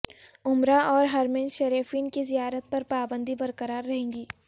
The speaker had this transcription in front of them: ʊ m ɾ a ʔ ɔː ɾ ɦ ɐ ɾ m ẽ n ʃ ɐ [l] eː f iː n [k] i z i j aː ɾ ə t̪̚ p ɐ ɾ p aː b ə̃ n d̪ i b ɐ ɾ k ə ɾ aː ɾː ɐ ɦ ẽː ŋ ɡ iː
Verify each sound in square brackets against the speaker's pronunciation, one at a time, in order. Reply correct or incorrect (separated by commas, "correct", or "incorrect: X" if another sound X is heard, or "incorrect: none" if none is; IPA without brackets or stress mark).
incorrect: ɾ, correct